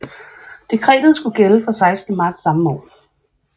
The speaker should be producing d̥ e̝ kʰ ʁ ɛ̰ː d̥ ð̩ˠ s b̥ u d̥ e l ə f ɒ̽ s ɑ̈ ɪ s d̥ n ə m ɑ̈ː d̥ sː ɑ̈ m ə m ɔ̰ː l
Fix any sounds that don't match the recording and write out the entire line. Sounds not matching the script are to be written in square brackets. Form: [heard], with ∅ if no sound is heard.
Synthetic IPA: d̥ e̝ kʰ ʁ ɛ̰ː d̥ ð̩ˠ s [ɡ̥] u [ɡ̥] e l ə f ɒ̽ s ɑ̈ ɪ s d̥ n ə m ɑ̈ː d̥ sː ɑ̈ m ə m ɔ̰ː l